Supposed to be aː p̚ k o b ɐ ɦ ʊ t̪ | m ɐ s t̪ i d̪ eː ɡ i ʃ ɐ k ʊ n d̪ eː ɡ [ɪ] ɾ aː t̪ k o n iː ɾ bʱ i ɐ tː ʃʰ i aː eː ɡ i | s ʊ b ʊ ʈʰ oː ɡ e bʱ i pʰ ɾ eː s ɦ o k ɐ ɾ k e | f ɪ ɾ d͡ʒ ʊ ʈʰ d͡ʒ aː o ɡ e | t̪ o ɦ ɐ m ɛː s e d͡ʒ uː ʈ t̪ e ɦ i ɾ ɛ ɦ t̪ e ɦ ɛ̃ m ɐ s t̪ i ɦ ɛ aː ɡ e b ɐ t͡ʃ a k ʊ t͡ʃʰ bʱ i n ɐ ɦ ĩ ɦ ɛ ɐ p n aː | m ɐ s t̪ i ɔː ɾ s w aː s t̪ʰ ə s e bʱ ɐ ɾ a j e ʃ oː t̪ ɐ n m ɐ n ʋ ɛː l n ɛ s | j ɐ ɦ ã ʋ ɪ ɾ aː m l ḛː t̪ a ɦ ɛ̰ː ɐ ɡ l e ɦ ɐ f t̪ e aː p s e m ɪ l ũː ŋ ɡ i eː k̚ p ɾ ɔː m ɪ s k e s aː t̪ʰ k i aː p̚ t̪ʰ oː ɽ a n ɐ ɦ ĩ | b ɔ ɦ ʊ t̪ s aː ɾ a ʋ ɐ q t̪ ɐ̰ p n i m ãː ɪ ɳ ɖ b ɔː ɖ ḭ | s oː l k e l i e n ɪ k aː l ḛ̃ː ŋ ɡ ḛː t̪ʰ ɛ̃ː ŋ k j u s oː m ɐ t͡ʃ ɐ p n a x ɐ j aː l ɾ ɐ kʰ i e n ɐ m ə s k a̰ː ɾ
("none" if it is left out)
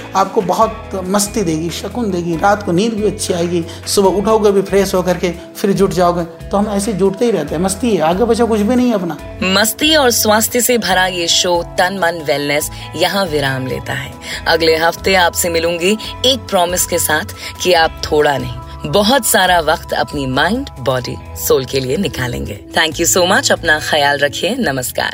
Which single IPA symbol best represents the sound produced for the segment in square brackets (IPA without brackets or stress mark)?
i